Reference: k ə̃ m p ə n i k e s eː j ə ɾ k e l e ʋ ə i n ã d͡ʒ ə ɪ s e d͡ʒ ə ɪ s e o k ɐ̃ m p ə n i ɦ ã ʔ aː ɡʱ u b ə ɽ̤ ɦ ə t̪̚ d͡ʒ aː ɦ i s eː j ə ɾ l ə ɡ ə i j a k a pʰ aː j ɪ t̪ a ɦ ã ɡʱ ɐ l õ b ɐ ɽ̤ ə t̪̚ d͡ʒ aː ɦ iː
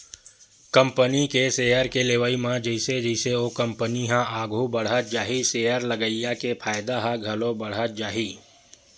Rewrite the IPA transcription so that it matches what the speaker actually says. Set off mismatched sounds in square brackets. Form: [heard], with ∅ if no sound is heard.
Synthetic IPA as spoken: k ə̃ m p ə n i k e s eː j ə ɾ k e l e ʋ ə i [m] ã d͡ʒ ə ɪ s e d͡ʒ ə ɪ s e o k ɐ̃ m p ə n i ɦ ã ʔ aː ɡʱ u b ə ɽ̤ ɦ ə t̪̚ d͡ʒ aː ɦ i s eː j ə ɾ l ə ɡ ə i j a k [e] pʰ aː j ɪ [d̪] a ɦ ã ɡʱ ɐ l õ b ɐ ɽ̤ ə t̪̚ d͡ʒ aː ɦ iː